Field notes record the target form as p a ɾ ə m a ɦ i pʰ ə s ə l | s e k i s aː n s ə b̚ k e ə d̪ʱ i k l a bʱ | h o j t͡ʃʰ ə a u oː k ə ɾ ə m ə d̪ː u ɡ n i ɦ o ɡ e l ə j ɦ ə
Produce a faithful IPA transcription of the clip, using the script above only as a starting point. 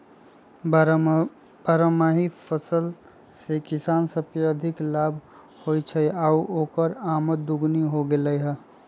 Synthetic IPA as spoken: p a ɾ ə m a ɦ i pʰ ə s ə l | s e k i s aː n s ə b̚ k e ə d̪ʱ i k l a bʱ | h o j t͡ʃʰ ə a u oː k ə ɾ a m ə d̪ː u ɡ n i ɦ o ɡ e l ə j ɦ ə